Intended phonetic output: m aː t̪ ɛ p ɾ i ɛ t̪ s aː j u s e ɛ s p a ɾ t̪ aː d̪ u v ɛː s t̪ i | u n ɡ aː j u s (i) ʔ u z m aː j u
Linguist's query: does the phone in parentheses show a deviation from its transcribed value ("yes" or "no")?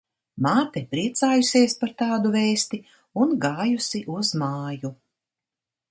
no